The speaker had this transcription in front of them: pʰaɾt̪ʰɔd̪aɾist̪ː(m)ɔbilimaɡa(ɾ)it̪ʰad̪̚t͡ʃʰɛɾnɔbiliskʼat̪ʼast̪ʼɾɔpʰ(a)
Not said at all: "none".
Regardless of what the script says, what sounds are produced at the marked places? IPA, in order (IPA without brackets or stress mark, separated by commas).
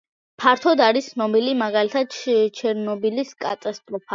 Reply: n, l, a